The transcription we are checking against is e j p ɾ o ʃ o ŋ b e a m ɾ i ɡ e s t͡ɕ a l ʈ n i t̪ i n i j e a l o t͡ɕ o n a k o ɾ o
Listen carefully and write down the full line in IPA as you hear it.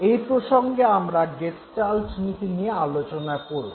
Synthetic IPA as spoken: e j p ɾ o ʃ o ŋ ɡ e a m ɾ a ɡ e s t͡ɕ a l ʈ n i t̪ i n i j e a l o t͡ɕ o n a k o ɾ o